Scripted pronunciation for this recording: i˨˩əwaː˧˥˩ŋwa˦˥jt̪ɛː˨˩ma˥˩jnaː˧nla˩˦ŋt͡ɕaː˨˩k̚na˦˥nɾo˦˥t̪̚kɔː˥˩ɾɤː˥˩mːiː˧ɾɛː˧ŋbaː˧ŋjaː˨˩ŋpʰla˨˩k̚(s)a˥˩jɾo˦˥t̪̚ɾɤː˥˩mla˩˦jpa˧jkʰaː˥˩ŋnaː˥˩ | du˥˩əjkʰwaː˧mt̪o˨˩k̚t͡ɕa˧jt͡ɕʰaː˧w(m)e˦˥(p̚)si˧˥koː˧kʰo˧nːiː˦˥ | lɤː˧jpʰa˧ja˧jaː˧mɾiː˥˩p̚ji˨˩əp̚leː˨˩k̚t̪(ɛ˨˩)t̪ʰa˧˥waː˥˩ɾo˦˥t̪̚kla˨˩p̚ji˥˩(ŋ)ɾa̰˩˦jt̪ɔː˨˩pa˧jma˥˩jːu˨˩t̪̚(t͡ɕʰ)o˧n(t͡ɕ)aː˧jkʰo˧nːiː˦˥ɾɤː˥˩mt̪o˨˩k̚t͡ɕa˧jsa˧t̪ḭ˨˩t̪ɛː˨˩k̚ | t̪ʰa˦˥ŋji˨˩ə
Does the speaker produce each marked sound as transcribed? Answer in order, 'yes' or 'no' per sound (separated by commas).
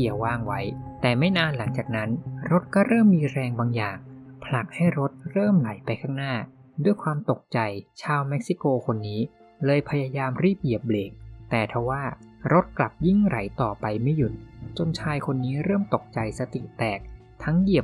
no, yes, no, no, yes, no, no